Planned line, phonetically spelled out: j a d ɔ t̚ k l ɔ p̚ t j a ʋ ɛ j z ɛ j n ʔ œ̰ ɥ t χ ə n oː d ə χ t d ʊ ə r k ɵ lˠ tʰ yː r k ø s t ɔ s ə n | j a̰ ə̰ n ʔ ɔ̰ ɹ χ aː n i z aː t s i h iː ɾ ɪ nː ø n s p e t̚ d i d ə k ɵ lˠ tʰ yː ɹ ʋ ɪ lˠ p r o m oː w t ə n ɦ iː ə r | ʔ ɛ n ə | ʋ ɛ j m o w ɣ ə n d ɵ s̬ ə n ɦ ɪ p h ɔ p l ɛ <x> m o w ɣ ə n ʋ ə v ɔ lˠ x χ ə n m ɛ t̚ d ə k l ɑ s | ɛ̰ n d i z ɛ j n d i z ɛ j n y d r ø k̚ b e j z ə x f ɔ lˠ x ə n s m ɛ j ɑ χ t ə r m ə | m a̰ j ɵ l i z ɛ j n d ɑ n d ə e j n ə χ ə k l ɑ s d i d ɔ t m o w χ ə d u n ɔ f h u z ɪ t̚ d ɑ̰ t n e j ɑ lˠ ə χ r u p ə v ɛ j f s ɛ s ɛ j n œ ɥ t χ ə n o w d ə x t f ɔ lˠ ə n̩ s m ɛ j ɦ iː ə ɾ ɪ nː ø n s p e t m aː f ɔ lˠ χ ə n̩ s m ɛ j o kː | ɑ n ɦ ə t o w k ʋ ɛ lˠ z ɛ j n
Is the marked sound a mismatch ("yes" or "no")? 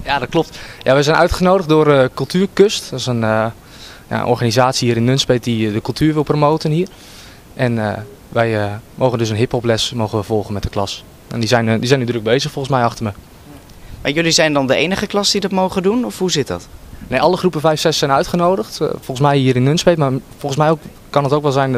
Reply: yes